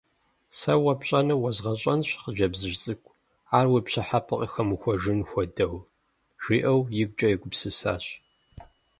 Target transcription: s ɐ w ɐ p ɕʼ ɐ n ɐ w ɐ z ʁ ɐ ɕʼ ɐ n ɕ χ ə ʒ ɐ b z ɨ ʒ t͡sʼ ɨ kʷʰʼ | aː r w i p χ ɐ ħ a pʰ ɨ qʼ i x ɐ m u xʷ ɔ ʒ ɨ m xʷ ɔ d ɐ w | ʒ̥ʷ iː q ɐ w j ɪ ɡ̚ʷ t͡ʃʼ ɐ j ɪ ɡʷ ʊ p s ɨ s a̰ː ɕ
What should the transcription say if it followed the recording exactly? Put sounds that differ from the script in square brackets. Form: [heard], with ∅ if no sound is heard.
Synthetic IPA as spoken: s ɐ w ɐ p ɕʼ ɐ n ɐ w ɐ z ʁ ɐ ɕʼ ɐ n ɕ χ ə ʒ ɐ b z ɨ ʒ t͡sʼ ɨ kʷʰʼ | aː r w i p [ɕ] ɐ ħ a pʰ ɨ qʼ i x ɐ m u xʷ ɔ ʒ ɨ [n] xʷ ɔ d ɐ w | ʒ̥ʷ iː [ʔ] ɐ w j ɪ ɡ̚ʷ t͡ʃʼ ɐ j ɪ ɡʷ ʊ p s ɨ s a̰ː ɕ